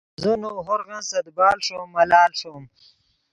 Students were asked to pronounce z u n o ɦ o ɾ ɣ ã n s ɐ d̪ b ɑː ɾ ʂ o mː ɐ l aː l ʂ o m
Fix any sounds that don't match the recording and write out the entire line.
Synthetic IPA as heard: z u n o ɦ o ɾ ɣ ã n s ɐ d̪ b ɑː l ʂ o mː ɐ l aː l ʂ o m

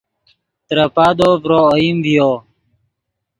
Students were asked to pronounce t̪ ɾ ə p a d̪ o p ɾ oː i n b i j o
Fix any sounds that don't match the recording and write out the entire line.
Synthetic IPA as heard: t̪ ɾ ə p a d̪ o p ɾ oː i m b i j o

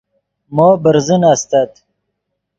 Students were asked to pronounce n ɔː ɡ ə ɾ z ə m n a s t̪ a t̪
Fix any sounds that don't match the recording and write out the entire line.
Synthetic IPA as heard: m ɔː b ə ɾ z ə n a s t̪ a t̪

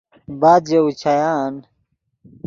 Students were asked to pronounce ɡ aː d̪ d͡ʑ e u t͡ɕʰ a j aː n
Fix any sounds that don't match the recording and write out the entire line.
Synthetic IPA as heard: b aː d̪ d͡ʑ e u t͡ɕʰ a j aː n

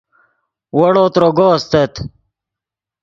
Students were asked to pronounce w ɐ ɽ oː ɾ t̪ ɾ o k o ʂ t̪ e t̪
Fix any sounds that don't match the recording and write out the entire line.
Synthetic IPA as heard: w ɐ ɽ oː t̪ ɾ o ɡ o s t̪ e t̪

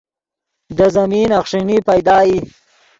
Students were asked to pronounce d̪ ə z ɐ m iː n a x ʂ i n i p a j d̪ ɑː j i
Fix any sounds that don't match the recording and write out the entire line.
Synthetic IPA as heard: d̪ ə z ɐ m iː n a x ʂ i n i p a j d̪ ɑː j i

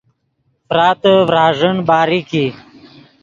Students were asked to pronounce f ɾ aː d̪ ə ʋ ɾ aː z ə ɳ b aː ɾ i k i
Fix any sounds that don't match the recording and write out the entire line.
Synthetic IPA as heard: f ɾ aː t̪ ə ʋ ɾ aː ʐ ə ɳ b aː ɾ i k i

